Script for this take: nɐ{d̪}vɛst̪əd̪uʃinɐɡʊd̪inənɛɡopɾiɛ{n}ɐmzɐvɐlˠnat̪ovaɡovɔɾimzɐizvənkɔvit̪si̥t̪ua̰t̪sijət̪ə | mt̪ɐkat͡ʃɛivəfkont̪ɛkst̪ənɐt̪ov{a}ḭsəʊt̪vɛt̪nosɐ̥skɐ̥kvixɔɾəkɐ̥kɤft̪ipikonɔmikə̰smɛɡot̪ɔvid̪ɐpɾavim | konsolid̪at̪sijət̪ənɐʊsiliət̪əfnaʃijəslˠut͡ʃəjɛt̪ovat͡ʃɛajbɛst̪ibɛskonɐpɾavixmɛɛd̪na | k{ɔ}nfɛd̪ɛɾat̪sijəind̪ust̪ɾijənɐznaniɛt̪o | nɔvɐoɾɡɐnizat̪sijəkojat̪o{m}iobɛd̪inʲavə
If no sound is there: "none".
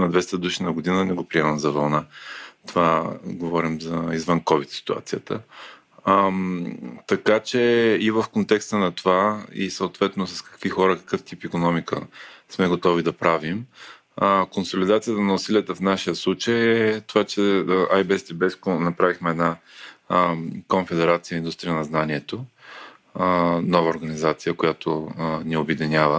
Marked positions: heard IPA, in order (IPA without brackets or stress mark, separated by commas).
d̪, m, a, o, n